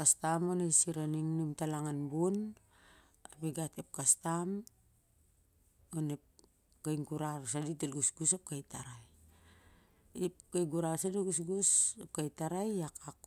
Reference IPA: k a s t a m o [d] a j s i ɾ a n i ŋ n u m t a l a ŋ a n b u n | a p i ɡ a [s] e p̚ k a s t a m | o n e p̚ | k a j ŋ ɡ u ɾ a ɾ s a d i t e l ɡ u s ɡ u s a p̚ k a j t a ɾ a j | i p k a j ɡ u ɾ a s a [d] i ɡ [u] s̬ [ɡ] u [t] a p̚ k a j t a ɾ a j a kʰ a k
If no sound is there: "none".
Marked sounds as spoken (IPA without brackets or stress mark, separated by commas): n, t, d, u, ɡ, s